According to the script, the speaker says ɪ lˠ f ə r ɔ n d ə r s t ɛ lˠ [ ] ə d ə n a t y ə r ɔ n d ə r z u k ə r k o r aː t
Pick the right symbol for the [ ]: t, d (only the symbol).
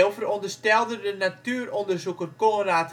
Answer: d